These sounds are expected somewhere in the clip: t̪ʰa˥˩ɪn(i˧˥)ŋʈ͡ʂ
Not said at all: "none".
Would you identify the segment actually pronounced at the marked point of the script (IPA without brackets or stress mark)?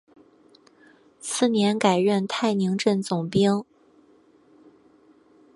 i˧˥